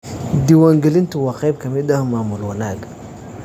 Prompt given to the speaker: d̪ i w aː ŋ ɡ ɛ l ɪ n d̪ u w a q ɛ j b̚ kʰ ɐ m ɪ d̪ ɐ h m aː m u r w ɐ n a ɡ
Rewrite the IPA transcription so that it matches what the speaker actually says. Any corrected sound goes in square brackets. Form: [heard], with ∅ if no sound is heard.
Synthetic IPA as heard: d̪ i w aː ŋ ɡ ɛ l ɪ n [t̪] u w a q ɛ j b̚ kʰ ɐ m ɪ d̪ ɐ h m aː m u [l] w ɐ n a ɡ